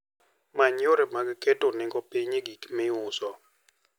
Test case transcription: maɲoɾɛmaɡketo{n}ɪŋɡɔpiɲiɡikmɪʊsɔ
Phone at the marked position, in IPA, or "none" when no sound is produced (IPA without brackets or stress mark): n